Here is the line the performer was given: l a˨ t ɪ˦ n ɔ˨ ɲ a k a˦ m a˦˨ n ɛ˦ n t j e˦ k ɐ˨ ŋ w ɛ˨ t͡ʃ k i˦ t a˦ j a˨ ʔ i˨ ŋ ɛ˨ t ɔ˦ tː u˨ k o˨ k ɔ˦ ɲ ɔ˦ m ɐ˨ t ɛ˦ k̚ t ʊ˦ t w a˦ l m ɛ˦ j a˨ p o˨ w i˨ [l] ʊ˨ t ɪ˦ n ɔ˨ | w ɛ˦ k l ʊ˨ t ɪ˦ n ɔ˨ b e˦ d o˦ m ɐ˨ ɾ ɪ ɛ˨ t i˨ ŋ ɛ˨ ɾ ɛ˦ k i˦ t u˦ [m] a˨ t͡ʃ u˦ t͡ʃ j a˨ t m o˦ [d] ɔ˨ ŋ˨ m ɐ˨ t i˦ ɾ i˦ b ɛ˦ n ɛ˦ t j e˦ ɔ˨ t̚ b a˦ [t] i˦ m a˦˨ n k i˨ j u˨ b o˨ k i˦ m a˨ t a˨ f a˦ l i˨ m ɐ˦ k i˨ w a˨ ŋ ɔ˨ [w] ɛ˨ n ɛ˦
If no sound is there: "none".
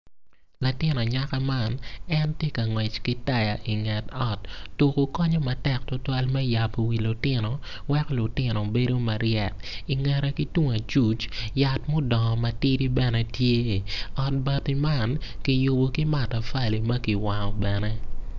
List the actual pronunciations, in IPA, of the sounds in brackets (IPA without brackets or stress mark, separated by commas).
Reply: l, ŋ, d, t, b